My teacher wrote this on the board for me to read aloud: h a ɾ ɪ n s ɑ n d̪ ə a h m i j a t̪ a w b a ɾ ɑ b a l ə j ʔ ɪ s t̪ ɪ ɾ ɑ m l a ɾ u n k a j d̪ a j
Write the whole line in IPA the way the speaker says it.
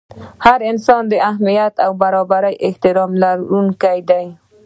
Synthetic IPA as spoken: h a ɾ ɪ n s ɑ n d̪ ə a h m i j a t̪ a w b a ɾ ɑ b a ɾ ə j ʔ ɪ h t̪ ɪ ɾ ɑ m l a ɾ u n k a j d̪ a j